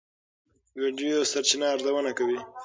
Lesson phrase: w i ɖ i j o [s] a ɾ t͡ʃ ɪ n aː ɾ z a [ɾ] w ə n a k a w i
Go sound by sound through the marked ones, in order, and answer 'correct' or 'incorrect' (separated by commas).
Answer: correct, incorrect